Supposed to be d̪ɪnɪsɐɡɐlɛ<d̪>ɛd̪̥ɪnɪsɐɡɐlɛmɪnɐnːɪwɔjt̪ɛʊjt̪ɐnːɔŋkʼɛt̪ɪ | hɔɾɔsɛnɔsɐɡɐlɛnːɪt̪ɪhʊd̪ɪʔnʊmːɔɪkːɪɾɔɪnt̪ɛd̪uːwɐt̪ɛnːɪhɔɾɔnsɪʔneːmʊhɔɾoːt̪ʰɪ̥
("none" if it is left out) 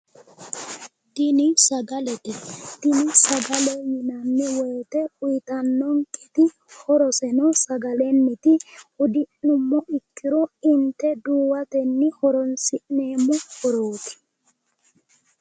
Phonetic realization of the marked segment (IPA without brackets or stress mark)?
t̪